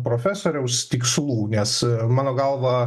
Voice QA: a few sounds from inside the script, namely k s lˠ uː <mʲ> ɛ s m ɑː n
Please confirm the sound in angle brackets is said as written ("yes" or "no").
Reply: no